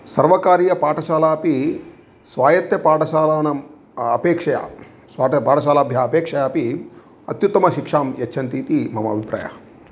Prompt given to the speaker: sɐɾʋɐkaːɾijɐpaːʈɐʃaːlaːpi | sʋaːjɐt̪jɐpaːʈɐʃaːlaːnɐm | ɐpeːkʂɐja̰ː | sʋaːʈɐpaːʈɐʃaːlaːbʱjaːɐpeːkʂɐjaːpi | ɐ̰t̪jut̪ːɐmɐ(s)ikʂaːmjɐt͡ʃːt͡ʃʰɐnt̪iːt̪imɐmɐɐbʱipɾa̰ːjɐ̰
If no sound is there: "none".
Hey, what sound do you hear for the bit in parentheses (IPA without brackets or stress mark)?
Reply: ʃ